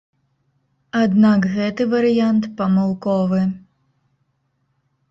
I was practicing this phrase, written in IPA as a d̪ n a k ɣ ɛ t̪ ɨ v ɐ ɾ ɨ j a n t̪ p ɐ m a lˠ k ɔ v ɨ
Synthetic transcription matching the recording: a d̪ n a k ɣ ɛ t̪ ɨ v ɐ ɾ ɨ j a n t̪ p ɐ m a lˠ k ɔ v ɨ